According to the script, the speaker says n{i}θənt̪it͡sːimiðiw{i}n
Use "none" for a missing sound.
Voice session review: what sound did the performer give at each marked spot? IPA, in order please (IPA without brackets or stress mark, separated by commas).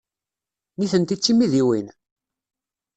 i, i